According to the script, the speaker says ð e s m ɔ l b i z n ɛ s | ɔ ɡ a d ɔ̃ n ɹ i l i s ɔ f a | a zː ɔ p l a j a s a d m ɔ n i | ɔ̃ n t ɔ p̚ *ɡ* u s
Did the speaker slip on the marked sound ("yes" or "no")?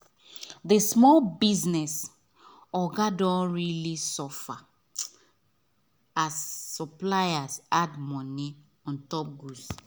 no